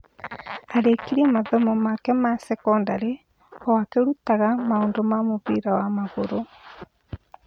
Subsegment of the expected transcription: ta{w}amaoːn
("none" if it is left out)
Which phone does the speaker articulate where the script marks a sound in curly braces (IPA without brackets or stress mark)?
ɣ